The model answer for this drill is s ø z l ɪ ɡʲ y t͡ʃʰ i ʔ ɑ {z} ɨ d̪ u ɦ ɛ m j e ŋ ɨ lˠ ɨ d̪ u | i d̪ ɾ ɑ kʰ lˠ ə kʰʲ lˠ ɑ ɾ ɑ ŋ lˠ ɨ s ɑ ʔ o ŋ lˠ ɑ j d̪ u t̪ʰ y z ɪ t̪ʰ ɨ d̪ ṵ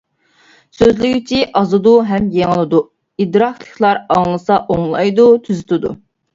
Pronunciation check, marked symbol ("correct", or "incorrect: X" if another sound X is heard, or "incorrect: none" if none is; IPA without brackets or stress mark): correct